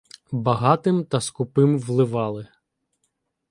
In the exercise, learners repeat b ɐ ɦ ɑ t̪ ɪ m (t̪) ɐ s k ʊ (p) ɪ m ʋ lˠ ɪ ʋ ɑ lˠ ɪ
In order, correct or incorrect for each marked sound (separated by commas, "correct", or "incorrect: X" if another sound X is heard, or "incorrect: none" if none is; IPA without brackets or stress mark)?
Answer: correct, correct